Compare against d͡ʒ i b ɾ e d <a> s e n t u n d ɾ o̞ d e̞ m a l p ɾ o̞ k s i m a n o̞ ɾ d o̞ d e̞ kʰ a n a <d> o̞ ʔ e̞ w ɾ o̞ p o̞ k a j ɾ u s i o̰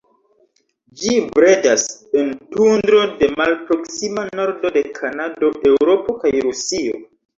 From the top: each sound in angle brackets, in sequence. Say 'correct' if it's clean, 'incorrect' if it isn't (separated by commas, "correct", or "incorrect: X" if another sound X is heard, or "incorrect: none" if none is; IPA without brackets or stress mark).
correct, correct